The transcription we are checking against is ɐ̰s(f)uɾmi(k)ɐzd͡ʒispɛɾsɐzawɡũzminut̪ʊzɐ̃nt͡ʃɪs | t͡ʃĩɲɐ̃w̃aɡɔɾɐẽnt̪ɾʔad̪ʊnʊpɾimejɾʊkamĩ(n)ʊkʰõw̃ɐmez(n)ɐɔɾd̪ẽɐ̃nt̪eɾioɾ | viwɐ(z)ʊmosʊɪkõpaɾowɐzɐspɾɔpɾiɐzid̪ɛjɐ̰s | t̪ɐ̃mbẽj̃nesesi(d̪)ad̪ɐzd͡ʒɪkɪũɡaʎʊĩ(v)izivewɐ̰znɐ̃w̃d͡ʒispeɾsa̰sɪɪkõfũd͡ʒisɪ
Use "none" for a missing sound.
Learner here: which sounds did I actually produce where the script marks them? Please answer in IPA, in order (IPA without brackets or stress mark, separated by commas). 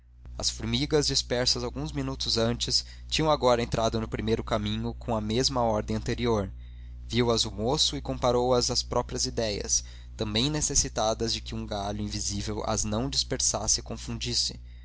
f, ɡ, ɲ, m, z, t̪, v